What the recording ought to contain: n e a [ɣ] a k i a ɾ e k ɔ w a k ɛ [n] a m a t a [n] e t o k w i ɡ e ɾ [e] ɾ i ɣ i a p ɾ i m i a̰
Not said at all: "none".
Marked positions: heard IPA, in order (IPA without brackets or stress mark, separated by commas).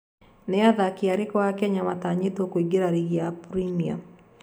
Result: ð, ɲ, ɲ, a